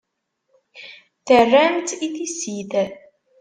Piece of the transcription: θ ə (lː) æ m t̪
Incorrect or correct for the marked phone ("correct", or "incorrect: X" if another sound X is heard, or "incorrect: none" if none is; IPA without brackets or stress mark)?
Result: incorrect: rː